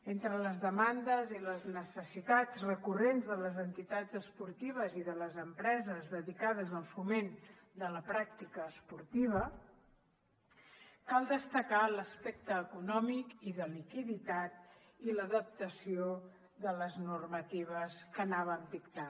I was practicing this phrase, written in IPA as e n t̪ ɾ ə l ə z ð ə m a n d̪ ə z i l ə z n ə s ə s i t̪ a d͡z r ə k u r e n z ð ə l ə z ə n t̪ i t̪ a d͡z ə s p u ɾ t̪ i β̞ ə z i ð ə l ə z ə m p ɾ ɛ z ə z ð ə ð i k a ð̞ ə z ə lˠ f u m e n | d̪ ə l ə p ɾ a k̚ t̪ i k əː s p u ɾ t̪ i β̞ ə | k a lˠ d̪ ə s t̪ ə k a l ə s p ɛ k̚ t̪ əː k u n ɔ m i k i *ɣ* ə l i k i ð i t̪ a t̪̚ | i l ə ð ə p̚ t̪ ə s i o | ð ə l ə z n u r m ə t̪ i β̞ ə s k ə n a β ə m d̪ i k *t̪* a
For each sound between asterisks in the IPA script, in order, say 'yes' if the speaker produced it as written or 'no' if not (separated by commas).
no, yes